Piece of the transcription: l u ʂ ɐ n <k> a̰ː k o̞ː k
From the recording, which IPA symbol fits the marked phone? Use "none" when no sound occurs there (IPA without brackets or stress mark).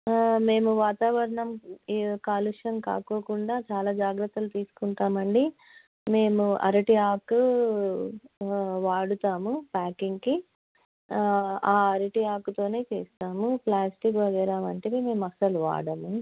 k